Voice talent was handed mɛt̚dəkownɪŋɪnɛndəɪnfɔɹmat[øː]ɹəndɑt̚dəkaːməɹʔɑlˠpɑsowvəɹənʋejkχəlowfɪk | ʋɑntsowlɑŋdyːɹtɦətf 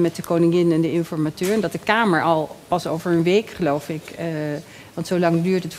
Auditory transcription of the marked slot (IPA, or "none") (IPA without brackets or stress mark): øː